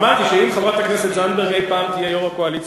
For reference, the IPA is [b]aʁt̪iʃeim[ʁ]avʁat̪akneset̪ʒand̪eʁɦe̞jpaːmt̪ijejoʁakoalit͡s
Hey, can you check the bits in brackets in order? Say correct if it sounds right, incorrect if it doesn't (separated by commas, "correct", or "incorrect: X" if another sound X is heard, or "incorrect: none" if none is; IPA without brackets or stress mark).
incorrect: m, incorrect: χ